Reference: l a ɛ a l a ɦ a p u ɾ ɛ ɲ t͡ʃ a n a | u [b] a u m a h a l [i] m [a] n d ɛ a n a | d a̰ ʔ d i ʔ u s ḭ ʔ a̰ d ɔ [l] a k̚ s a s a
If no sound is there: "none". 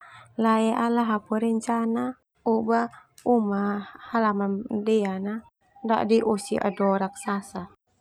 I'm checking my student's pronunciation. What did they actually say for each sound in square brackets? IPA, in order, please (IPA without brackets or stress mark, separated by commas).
b, a, a, ɾ